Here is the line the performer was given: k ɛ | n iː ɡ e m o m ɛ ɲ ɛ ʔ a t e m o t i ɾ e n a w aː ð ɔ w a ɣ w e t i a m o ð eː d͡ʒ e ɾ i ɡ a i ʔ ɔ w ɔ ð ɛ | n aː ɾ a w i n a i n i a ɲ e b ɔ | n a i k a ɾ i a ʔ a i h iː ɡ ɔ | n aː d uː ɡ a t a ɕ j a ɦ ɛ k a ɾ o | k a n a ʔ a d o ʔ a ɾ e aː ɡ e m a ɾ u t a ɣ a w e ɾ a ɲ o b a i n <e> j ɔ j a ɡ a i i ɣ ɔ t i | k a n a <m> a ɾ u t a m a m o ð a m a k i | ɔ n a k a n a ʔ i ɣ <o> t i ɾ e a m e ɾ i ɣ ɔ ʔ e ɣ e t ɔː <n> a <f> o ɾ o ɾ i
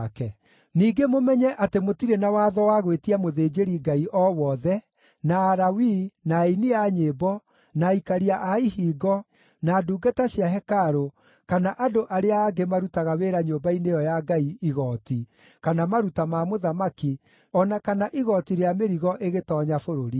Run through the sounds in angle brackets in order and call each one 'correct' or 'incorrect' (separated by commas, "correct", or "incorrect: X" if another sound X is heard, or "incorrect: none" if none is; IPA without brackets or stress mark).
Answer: correct, correct, incorrect: ɔ, incorrect: ɲ, correct